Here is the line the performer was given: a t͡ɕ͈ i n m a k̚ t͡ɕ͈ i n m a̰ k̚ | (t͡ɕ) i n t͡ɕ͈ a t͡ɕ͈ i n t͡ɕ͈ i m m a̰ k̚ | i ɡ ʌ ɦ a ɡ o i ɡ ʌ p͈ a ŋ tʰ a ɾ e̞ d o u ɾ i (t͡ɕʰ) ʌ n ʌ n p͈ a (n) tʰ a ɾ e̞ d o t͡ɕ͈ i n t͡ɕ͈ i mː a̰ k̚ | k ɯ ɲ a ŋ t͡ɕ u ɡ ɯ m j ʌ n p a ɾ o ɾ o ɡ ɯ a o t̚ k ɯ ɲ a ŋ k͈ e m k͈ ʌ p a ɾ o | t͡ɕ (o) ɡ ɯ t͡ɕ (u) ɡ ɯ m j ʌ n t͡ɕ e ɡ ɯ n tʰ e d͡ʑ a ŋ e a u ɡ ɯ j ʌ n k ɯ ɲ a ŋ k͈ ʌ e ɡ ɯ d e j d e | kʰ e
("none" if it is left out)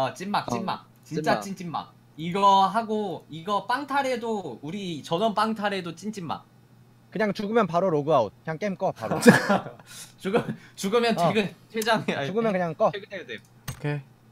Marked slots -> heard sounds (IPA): t͡ɕ, t͡ɕ, ŋ, u, u

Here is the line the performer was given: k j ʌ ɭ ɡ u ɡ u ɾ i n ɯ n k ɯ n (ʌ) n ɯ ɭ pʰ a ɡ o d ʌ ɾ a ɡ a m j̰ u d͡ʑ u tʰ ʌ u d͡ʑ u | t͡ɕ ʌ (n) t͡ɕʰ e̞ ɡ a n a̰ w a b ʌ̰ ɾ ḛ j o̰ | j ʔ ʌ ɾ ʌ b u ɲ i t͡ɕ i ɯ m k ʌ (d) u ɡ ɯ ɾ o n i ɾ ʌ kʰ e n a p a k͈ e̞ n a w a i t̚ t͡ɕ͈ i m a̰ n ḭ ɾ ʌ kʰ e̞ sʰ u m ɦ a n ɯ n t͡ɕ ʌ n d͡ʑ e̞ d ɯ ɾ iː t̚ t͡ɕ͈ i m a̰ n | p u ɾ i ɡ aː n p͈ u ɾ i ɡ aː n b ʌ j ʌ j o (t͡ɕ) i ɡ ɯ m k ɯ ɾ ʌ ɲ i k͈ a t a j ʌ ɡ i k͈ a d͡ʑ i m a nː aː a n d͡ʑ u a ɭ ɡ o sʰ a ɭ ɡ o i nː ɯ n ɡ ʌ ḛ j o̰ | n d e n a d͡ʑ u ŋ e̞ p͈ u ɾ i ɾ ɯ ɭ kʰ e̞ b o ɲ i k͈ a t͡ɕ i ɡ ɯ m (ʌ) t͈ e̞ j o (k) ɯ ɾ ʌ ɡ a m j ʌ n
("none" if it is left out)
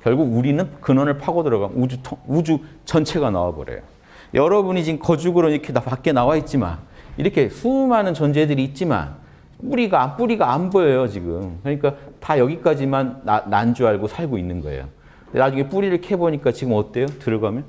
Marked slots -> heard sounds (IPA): ʌ, n, d͡ʑ, t͡ɕ, ʌ, t

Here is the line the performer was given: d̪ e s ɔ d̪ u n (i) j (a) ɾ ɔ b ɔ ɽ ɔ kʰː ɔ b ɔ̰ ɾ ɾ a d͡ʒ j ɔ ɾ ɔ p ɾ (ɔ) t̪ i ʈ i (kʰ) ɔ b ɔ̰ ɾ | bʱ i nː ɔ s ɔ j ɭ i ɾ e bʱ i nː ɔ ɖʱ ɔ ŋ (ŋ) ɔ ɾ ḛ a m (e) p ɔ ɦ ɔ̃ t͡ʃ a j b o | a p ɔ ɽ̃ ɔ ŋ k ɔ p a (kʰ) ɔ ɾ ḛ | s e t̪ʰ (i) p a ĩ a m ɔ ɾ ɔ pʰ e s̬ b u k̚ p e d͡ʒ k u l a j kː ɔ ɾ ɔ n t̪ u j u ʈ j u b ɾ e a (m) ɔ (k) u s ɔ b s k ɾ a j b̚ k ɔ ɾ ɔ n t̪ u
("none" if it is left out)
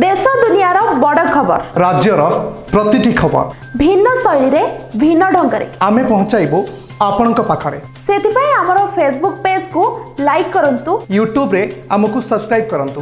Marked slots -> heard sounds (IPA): i, a, ɔ, kʰ, ɡ, e, kʰ, i, m, k

